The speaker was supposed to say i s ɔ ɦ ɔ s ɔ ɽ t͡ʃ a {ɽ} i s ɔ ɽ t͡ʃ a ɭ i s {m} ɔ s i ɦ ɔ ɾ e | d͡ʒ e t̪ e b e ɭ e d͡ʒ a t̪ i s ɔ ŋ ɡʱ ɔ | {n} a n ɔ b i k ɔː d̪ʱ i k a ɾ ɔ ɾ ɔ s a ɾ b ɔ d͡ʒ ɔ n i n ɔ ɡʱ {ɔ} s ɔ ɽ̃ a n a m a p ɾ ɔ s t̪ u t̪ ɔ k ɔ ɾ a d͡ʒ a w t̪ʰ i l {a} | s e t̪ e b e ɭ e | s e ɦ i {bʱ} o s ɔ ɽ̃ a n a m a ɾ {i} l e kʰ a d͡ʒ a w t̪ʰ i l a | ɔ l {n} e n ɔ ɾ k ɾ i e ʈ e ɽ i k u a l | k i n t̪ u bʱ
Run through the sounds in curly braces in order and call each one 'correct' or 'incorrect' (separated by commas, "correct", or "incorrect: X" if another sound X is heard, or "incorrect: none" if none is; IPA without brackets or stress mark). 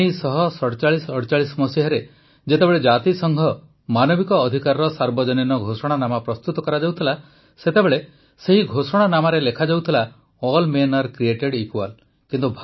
incorrect: ɭ, correct, incorrect: m, incorrect: o, correct, incorrect: ɡʱ, incorrect: e, incorrect: m